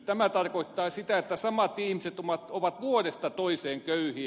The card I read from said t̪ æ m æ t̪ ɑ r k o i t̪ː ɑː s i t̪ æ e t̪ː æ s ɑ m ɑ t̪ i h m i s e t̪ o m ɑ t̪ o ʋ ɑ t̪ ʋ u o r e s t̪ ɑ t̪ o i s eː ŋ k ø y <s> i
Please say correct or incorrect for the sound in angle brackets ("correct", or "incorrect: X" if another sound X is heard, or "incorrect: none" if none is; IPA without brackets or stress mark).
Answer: incorrect: h